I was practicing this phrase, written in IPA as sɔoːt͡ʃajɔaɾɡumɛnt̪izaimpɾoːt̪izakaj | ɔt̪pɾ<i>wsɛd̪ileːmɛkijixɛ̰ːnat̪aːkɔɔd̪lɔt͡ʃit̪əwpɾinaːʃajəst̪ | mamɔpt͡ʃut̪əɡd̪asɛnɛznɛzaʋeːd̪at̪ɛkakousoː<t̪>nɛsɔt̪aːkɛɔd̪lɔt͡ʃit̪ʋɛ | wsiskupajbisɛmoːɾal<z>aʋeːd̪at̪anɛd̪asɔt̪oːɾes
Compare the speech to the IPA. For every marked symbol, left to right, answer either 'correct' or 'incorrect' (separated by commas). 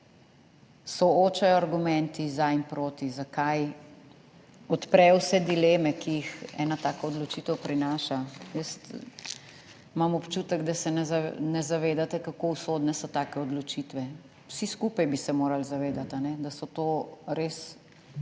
incorrect, incorrect, correct